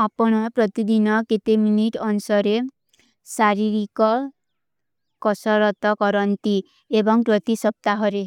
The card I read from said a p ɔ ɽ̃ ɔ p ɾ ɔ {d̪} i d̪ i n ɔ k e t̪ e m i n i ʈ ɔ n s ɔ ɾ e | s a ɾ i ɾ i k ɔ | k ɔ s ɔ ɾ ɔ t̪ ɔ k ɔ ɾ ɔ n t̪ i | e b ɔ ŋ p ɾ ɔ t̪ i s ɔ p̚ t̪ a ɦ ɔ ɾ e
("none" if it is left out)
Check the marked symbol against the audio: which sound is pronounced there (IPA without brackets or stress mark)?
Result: t̪